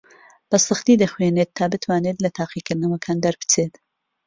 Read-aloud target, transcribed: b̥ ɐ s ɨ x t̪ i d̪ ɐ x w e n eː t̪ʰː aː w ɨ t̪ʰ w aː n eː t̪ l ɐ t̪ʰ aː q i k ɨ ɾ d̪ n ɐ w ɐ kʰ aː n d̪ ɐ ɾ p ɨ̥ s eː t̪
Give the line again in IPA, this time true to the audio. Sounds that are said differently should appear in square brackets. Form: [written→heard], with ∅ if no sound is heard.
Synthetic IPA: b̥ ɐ s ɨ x t̪ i d̪ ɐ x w e n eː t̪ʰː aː [w→b] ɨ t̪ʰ w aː n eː t̪ l ɐ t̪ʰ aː q i k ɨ ɾ d̪ n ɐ w ɐ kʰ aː n d̪ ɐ ɾ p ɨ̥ [s→t͡s] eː t̪